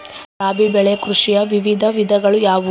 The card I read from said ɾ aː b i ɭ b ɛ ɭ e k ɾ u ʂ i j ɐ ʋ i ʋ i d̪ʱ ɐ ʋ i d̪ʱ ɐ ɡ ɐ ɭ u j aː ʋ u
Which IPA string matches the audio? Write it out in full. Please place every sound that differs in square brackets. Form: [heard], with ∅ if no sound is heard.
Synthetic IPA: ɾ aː b i [∅] b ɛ ɭ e k ɾ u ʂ i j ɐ ʋ i ʋ i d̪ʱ ɐ ʋ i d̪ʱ ɐ ɡ ɐ ɭ u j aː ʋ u